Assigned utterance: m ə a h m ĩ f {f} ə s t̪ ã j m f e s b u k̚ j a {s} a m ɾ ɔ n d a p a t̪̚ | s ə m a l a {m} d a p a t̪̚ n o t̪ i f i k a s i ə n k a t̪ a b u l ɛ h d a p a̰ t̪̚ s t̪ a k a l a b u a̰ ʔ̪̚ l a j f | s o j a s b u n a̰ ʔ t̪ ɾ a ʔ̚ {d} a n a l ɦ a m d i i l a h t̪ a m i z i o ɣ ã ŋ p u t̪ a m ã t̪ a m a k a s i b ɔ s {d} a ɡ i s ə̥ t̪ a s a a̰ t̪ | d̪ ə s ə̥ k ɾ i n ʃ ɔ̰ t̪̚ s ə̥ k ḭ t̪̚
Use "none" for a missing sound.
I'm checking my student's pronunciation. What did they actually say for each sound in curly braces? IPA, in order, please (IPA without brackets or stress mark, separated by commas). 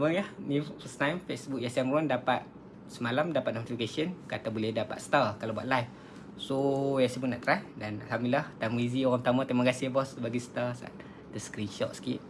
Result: f, s, m, d, b